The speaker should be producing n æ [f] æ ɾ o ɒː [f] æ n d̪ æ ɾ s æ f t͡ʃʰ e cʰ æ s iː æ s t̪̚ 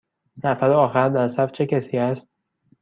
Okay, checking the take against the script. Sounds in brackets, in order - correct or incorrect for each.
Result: correct, incorrect: x

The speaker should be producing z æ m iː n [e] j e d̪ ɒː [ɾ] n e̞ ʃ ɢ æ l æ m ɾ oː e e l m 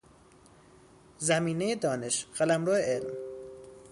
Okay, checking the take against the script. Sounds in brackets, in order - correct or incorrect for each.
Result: correct, incorrect: none

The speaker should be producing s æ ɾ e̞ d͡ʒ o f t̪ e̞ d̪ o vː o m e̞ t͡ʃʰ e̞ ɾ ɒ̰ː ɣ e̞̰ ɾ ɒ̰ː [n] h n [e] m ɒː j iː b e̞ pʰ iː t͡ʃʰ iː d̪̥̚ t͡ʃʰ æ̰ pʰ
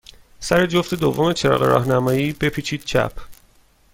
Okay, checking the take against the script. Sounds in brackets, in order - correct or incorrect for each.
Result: incorrect: none, incorrect: æ

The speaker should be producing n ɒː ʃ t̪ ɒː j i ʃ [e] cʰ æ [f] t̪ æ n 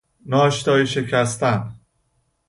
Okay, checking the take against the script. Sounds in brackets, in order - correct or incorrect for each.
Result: correct, incorrect: s

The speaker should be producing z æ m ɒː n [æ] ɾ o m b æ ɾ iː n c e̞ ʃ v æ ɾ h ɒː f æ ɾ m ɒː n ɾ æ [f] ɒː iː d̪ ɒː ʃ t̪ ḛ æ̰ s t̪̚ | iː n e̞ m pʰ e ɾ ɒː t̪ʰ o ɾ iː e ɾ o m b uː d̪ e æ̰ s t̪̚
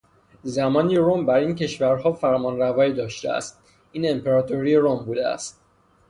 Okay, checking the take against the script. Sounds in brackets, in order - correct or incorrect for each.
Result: incorrect: i, incorrect: v

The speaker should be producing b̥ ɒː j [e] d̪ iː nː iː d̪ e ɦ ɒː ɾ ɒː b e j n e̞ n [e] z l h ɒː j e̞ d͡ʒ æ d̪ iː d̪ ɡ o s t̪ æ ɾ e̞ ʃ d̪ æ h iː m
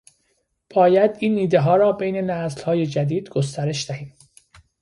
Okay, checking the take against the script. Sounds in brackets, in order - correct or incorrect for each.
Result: incorrect: æ, incorrect: æ

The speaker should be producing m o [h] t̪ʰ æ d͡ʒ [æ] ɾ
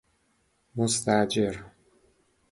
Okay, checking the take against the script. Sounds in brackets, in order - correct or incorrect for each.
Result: incorrect: s, incorrect: e

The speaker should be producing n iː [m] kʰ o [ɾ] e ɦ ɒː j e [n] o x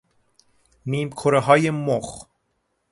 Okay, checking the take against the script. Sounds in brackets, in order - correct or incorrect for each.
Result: correct, correct, incorrect: m

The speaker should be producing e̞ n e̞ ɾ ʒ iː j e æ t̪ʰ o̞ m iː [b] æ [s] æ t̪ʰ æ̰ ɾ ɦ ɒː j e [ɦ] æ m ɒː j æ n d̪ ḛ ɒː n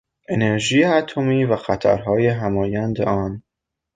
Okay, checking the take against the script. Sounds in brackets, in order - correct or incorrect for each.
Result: incorrect: v, incorrect: x, correct

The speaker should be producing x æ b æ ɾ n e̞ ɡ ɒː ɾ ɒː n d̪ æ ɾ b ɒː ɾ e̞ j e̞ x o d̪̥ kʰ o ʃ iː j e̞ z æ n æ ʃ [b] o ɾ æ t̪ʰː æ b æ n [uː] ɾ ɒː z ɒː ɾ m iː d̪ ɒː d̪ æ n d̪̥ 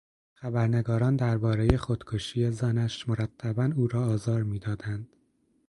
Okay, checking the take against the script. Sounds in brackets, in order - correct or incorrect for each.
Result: incorrect: m, correct

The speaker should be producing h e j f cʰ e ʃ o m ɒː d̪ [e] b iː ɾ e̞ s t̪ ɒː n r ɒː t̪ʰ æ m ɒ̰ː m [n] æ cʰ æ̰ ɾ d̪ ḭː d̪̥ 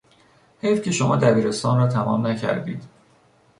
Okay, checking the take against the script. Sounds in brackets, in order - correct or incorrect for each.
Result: incorrect: æ, correct

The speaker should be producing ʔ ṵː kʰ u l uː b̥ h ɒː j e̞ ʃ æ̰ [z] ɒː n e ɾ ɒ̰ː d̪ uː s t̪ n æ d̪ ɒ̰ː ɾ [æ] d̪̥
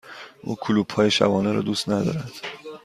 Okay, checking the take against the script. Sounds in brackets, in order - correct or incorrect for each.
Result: incorrect: v, correct

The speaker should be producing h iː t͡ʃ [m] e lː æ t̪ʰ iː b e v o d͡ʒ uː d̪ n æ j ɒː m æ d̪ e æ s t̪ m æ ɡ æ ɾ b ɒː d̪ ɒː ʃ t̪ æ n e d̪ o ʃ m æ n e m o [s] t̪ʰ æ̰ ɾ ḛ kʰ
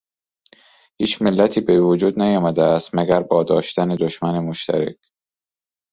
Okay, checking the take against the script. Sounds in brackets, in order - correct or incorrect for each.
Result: correct, incorrect: ʃ

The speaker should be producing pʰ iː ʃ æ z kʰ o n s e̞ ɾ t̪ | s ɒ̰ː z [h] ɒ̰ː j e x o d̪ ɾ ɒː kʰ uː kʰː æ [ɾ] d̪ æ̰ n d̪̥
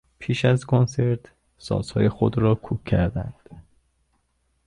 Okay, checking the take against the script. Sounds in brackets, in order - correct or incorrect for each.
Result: correct, correct

